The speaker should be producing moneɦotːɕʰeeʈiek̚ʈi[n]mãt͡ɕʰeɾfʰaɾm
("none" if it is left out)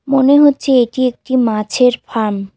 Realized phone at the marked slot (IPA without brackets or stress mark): none